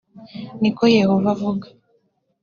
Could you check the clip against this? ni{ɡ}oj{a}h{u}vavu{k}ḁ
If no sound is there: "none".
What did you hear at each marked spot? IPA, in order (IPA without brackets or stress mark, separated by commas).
k, e, o, ɡ